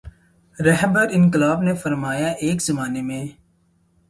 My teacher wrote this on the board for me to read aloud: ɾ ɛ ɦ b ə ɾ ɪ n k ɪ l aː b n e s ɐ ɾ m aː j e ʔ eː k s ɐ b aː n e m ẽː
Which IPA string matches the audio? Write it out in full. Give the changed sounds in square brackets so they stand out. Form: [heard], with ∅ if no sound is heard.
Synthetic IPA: ɾ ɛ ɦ b ə ɾ ɪ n k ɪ l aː b n e [f] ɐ ɾ m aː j [a] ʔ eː k [z] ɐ [m] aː n e m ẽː

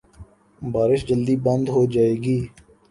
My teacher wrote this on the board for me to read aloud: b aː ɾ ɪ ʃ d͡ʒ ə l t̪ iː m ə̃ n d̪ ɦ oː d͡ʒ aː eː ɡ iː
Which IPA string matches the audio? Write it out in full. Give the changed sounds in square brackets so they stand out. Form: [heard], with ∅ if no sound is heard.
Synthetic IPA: b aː ɾ ɪ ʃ d͡ʒ ə l [d̪] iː [b] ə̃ n d̪ ɦ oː d͡ʒ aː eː ɡ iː

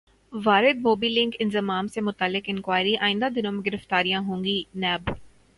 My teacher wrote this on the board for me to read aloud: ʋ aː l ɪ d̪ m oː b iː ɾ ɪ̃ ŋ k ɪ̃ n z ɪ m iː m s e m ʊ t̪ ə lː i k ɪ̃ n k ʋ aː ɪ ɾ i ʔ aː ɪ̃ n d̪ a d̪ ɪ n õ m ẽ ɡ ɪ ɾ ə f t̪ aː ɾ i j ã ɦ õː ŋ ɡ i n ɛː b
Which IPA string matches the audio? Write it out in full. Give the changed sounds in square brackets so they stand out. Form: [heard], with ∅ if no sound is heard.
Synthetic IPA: ʋ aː [ɾ] ɪ d̪ m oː b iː [l] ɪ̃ ŋ k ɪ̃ n z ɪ m [aː] m s e m ʊ t̪ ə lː [ɪ] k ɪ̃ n k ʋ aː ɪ ɾ i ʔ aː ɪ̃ n d̪ a d̪ ɪ n õ m ẽ ɡ ɪ ɾ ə f t̪ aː ɾ i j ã ɦ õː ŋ ɡ i n ɛː b

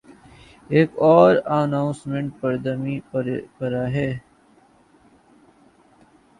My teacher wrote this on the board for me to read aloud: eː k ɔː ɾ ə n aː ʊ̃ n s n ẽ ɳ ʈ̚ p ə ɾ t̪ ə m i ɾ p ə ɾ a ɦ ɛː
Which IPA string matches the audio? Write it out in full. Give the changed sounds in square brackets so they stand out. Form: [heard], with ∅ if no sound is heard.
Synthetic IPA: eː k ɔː ɾ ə n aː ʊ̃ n s [m] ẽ ɳ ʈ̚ p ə ɾ [d̪] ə m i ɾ p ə ɾ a ɦ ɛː

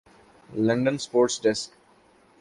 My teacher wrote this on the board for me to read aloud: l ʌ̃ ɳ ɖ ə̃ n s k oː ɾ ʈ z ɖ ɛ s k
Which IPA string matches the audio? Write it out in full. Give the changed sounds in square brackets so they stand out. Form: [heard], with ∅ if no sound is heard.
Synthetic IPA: l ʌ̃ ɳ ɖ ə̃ n s [p] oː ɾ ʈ [s] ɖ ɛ s k

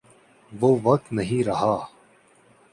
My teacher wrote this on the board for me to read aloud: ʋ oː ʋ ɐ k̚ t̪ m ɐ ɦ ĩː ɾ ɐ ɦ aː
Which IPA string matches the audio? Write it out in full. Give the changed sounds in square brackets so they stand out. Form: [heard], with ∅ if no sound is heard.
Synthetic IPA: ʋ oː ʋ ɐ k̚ t̪ [n] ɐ ɦ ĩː ɾ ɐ ɦ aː

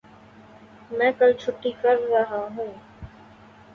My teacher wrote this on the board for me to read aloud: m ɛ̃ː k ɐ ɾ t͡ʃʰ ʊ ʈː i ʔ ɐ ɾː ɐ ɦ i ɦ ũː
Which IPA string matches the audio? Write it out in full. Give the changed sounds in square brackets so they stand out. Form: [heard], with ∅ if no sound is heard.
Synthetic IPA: m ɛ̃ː k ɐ [l] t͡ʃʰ ʊ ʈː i [k] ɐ ɾː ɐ ɦ [a] ɦ ũː

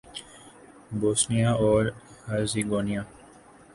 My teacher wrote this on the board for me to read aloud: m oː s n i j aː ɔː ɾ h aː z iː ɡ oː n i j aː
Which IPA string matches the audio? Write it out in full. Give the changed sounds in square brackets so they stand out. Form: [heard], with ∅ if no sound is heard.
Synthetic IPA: [b] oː s n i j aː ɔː ɾ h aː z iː ɡ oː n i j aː

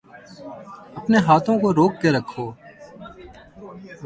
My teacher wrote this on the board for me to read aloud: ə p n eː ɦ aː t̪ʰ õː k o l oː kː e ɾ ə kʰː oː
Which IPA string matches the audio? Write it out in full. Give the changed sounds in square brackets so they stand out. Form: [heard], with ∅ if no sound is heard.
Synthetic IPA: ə p n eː ɦ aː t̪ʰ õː k o [ɾ] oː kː e ɾ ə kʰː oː

